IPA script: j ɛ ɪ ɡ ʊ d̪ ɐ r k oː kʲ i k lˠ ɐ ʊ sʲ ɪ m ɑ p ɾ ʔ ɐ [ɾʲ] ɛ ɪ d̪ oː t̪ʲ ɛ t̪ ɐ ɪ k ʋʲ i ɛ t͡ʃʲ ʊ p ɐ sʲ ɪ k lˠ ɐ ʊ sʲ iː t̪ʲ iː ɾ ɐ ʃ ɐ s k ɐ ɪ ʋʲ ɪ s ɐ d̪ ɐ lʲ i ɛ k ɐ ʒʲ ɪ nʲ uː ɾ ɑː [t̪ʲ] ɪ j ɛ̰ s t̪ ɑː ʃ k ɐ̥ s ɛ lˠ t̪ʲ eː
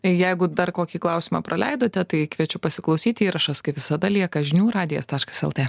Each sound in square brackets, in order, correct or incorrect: incorrect, incorrect

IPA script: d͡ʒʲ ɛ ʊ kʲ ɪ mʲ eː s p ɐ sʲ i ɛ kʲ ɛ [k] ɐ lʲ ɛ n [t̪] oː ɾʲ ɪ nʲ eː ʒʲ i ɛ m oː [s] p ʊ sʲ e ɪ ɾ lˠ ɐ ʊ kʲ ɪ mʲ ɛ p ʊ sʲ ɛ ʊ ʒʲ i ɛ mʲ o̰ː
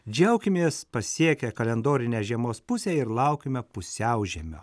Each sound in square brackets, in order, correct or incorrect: correct, incorrect, correct

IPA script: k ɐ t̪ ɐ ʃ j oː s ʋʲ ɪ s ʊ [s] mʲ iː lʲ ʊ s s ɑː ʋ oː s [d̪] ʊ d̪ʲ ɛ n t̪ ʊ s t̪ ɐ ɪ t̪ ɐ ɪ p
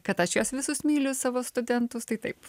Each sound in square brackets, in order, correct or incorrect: correct, incorrect

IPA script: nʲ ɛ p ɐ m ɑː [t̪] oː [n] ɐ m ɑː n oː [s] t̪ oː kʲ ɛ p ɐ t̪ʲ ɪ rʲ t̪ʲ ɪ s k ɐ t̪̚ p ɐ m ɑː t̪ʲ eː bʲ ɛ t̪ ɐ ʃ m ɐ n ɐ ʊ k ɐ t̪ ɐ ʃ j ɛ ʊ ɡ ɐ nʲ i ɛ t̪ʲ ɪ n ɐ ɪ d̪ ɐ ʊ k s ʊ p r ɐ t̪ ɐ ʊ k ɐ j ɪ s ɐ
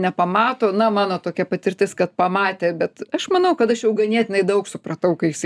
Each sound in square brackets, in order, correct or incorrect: correct, correct, incorrect

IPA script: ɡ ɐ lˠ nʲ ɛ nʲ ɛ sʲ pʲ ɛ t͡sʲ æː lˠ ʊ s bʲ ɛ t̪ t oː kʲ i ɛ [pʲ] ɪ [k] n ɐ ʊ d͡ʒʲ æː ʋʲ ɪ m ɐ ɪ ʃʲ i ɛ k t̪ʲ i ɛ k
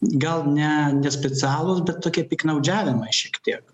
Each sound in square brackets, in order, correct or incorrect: correct, correct

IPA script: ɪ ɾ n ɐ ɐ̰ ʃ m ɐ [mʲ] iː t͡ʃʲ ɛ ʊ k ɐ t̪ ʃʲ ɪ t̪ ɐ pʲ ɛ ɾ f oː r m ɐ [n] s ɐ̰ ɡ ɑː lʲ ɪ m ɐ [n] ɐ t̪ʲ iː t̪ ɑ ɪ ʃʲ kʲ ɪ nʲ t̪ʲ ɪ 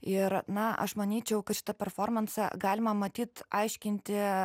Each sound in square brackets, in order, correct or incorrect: incorrect, correct, incorrect

